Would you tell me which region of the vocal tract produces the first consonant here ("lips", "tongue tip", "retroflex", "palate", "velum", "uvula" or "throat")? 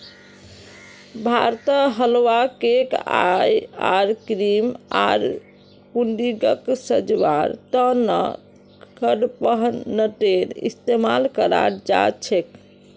lips